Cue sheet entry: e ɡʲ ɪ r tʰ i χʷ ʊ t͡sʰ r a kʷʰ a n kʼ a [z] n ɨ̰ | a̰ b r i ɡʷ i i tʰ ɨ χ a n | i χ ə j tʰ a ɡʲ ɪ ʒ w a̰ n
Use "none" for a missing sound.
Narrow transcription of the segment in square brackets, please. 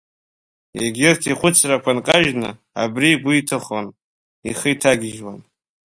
ʒ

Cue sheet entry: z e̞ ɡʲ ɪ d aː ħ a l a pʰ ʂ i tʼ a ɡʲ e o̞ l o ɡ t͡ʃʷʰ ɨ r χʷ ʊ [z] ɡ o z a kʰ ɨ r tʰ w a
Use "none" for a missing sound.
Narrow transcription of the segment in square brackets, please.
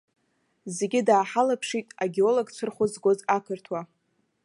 z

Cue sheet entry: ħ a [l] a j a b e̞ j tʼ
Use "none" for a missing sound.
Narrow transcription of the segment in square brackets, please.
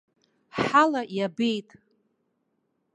l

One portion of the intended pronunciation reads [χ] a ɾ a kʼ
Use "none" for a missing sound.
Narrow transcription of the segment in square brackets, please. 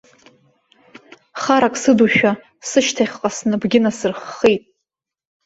χ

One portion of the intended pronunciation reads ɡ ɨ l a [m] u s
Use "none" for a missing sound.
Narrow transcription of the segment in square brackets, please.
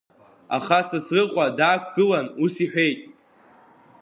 n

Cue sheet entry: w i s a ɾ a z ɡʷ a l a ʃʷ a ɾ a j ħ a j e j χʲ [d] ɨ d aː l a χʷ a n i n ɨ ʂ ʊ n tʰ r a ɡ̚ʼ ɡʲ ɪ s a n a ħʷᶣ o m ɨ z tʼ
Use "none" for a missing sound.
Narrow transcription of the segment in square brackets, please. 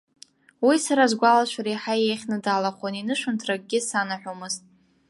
n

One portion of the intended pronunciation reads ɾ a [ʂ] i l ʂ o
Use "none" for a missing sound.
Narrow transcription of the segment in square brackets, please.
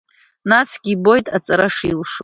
ʂ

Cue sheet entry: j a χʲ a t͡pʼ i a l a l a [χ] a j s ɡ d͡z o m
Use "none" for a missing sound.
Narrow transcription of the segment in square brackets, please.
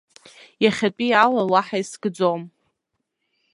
ħ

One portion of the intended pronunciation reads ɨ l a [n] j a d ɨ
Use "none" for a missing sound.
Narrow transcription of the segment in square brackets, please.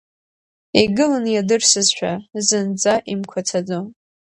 n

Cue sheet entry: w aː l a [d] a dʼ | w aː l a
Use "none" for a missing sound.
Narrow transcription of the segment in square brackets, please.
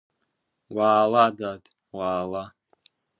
d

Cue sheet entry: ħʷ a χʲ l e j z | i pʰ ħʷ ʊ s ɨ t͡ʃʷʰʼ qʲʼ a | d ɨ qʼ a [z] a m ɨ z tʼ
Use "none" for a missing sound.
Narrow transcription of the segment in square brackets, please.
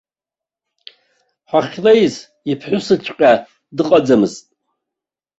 d͡z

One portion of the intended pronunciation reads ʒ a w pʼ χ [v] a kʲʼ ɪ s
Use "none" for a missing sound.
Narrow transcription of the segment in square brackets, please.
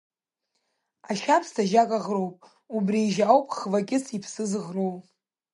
v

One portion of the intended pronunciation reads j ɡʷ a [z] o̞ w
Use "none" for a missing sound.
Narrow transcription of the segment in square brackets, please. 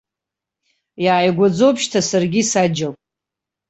d͡z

